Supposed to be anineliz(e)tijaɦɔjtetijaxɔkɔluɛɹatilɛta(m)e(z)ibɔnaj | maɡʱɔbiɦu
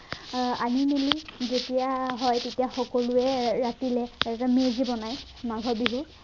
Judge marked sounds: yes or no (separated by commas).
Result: yes, yes, yes